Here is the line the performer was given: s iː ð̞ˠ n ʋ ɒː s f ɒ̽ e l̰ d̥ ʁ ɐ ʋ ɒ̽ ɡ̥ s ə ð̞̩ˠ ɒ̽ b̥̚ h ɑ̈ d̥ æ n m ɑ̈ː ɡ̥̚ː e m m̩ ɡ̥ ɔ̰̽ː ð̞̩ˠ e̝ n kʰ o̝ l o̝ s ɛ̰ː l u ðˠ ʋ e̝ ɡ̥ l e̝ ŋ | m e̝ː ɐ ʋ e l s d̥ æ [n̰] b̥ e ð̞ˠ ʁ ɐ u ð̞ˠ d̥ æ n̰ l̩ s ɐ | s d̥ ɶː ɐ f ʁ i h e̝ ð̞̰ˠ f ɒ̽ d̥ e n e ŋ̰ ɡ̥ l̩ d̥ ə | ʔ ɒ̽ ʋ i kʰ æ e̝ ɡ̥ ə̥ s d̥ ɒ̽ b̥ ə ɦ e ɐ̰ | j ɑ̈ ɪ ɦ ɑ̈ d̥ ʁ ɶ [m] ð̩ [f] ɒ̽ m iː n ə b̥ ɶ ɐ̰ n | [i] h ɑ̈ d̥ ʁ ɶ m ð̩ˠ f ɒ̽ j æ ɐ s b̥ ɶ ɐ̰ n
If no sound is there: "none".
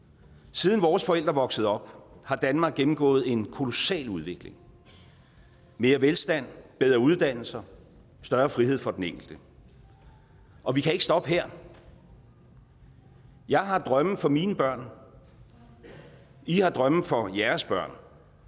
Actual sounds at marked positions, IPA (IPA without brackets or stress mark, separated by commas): n̰, m, f, i